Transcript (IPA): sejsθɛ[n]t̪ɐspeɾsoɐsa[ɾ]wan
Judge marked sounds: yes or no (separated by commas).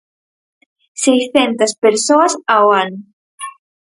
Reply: yes, no